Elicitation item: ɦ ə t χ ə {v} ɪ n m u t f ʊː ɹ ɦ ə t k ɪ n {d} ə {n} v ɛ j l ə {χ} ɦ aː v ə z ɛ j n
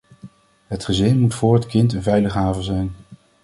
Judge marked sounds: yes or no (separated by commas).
no, no, yes, yes